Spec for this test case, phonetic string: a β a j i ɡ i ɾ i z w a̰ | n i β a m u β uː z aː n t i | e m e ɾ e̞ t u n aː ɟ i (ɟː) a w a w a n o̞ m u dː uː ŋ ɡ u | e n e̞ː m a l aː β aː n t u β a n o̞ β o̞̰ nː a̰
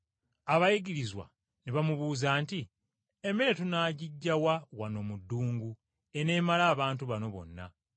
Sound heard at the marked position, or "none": ɟː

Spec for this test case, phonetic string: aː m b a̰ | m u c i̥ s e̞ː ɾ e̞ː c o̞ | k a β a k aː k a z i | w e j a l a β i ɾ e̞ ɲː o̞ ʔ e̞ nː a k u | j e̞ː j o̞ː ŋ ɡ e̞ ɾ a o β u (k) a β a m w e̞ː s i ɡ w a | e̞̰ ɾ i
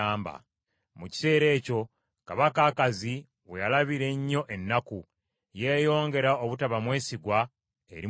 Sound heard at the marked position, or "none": t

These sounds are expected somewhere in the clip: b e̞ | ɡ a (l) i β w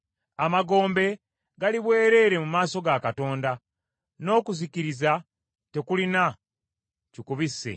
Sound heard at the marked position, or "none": l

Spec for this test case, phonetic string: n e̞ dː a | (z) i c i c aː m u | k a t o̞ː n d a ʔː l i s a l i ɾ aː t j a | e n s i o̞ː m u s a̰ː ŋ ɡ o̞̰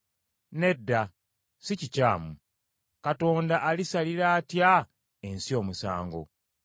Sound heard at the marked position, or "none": s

